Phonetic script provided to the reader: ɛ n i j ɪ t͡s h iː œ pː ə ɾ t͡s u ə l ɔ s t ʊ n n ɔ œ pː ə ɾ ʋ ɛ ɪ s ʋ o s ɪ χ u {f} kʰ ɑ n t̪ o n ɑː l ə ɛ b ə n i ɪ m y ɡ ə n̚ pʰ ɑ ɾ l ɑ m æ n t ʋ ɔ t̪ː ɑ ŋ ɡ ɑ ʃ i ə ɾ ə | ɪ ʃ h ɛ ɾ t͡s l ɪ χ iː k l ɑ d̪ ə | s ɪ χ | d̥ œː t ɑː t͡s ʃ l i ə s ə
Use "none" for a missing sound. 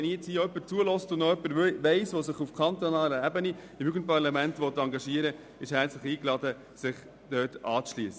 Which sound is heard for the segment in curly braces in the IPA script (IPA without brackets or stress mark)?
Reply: f